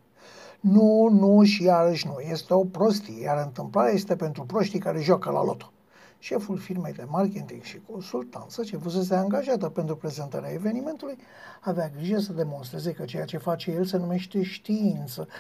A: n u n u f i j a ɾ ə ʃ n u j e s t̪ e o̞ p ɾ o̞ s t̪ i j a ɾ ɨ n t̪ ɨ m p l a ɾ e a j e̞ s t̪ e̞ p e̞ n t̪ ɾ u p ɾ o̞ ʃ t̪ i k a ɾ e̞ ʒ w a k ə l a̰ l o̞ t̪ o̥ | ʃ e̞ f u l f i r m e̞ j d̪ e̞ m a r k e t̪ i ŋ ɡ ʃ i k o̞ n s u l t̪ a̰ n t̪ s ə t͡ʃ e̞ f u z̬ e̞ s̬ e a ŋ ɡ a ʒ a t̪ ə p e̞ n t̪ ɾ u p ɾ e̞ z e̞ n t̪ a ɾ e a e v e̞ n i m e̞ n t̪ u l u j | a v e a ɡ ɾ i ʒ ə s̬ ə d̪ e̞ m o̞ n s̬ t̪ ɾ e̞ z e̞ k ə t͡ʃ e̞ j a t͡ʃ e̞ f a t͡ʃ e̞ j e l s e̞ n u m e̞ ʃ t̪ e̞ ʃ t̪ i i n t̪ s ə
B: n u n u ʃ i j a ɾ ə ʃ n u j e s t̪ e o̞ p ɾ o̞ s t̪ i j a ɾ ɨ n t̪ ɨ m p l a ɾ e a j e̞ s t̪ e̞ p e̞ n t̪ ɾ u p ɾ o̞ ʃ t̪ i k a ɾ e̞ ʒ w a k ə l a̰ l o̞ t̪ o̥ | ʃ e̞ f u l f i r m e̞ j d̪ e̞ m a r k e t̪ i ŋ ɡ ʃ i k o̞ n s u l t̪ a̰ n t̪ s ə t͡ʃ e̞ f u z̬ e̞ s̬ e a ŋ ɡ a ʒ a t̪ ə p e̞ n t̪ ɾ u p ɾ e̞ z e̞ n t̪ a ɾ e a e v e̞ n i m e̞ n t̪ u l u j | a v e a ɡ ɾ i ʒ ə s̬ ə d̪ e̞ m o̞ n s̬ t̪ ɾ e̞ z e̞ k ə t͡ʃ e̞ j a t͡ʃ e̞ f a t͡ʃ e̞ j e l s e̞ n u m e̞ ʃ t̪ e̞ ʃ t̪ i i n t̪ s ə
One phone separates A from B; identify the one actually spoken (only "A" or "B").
B